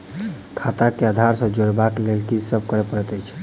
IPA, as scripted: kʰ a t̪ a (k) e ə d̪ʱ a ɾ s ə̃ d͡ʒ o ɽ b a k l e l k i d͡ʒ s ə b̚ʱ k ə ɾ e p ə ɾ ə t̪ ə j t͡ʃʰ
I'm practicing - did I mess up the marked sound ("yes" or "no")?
no